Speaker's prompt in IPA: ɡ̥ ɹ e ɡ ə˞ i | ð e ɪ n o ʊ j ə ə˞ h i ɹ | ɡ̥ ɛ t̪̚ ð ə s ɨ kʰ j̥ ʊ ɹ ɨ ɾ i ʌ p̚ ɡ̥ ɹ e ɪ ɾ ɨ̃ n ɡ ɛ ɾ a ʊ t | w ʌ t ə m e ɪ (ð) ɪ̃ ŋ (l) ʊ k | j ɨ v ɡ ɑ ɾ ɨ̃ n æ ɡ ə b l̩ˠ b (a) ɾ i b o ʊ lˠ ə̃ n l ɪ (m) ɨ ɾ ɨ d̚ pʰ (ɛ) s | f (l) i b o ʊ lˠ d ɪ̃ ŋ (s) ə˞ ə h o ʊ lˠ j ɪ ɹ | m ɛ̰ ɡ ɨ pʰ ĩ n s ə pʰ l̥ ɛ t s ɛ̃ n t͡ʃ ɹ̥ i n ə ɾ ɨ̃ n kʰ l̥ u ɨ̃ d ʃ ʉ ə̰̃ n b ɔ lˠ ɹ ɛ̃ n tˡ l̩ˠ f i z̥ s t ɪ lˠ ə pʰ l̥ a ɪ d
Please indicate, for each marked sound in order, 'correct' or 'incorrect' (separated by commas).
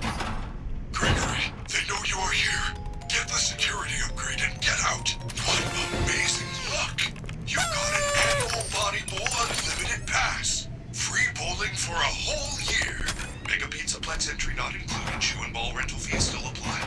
incorrect, correct, incorrect, correct, incorrect, incorrect, incorrect